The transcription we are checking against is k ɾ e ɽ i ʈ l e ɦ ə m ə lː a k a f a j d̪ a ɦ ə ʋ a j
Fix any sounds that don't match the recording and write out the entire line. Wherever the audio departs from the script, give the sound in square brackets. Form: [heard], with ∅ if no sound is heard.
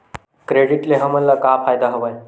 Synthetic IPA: k ɾ e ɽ i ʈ l e ɦ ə m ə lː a k a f a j d̪ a ɦ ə ʋ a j